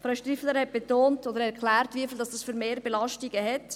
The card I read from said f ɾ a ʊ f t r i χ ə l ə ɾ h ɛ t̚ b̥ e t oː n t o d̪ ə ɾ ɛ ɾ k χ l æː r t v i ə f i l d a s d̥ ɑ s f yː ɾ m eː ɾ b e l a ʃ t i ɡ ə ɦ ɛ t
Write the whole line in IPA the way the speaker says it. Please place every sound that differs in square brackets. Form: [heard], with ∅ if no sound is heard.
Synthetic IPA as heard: f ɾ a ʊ [ʃ] t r i [f] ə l ə ɾ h ɛ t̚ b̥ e t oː n t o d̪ ə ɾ ɛ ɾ k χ l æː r t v i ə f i l d [ɑ] s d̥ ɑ s f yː ɾ m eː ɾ b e l [ɑ] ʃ t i ɡ ə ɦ ɛ t